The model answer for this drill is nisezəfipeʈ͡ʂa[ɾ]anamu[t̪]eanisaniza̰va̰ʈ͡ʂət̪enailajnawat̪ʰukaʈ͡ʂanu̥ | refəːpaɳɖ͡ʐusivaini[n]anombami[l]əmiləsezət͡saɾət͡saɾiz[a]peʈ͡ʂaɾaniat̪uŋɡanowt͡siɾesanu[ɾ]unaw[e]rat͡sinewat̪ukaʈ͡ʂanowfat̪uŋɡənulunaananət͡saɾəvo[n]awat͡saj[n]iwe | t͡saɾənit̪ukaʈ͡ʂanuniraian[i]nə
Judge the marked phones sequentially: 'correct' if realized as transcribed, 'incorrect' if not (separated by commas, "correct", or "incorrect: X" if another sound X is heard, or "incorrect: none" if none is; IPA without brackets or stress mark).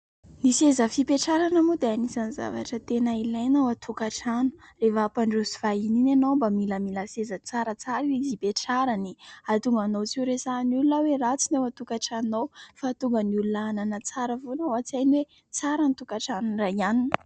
correct, incorrect: d̪, correct, correct, incorrect: i, incorrect: l, correct, correct, correct, correct